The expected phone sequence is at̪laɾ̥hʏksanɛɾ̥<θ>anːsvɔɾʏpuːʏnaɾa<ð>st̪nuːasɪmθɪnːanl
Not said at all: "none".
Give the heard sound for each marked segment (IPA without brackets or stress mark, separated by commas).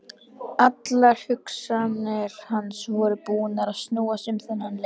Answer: h, ð